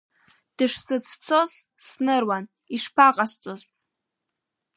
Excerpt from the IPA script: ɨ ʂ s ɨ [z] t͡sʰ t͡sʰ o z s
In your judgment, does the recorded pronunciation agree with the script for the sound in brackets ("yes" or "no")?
no